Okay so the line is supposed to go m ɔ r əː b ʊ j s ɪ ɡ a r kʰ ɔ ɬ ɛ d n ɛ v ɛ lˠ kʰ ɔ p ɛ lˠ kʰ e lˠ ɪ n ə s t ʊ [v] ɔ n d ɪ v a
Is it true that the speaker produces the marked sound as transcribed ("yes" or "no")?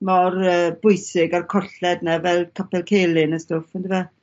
no